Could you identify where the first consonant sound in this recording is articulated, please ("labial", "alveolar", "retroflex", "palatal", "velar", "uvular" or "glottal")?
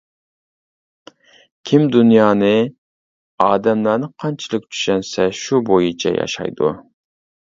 velar